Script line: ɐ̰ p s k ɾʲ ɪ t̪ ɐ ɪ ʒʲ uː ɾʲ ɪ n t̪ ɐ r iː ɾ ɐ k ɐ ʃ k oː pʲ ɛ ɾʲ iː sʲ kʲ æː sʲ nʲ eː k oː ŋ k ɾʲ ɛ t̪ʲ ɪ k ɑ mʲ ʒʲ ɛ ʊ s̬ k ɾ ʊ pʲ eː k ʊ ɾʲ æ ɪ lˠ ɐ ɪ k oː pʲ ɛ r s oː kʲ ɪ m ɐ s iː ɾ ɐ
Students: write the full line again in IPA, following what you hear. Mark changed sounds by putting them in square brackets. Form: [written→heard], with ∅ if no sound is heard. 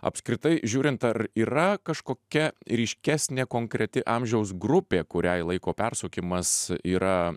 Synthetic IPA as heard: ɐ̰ p s k ɾʲ ɪ t̪ ɐ ɪ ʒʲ uː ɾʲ ɪ n t̪ ɐ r iː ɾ ɐ k ɐ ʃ k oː [pʲ→kʲ] ɛ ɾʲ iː [sʲ→ʃʲ] kʲ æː sʲ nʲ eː k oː ŋ k ɾʲ ɛ t̪ʲ ɪ [k→ʔ] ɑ mʲ ʒʲ ɛ ʊ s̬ [k→ɡ] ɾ ʊ pʲ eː k ʊ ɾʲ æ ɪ lˠ ɐ ɪ k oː pʲ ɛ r s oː kʲ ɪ m ɐ s iː ɾ ɐ